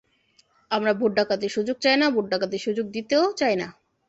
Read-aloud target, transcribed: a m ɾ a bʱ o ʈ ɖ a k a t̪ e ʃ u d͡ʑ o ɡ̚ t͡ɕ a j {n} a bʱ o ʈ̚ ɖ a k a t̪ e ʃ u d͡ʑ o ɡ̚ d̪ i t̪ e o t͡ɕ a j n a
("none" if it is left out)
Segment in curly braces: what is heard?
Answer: n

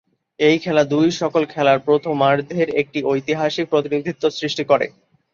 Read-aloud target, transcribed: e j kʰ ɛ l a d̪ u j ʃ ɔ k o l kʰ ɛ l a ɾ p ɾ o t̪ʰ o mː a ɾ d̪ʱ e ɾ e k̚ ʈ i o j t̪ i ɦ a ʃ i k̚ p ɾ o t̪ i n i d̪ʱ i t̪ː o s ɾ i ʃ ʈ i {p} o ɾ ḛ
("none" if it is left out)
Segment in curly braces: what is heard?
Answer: k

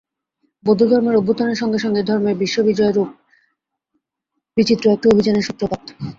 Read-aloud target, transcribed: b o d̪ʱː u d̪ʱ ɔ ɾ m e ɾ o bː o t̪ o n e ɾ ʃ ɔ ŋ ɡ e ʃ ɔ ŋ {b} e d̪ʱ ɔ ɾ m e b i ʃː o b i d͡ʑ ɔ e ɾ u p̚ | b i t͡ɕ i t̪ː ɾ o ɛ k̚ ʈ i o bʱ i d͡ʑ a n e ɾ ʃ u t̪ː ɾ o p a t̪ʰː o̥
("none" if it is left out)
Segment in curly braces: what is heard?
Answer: ɡ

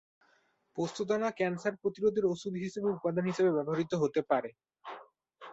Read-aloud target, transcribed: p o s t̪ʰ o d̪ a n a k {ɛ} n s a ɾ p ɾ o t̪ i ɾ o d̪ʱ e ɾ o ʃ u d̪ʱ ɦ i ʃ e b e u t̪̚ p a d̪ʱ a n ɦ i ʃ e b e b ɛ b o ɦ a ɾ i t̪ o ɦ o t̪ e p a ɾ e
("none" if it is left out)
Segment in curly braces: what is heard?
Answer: ɛ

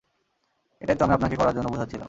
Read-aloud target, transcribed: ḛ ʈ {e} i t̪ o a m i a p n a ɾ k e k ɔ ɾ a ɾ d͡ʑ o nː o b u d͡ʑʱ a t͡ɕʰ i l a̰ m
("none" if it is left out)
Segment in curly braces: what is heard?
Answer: a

